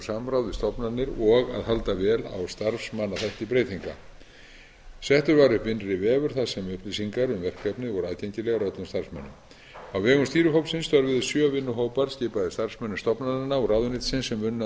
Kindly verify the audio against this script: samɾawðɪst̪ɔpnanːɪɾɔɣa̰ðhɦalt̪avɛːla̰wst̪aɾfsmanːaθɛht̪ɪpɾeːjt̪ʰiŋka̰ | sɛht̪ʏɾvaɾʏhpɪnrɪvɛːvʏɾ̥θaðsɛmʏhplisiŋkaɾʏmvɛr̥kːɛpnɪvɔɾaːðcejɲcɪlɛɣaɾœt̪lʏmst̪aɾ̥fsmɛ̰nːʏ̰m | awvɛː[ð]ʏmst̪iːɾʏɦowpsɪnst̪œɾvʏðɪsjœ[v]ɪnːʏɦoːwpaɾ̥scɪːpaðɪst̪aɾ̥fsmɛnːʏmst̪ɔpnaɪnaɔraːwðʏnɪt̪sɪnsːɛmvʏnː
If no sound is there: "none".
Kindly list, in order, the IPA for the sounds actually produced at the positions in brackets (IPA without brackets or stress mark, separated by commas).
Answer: ɣ, v